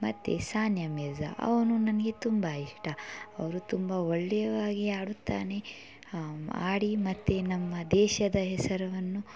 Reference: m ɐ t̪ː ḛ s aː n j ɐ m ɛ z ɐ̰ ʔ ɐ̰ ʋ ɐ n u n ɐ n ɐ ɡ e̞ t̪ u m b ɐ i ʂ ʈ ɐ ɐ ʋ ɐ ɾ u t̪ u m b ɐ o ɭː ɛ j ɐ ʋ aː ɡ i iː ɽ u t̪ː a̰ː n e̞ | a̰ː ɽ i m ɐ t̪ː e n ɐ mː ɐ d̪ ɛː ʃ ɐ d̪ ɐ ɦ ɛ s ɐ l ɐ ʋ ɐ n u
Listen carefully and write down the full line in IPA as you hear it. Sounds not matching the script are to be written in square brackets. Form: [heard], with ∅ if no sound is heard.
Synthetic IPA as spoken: m ɐ t̪ː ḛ s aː n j ɐ m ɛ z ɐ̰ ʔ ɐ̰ ʋ ɐ n u n ɐ n ɐ ɡ e̞ t̪ u m b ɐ i ʂ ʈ ɐ ɐ ʋ ɐ ɾ u t̪ u m b ɐ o ɭː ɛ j ɐ ʋ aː ɡ i [aː] ɽ u t̪ː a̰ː n e̞ | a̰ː ɽ i m ɐ t̪ː e n ɐ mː ɐ d̪ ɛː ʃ ɐ d̪ ɐ ɦ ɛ s ɐ [ɾ] ɐ ʋ ɐ [nː] u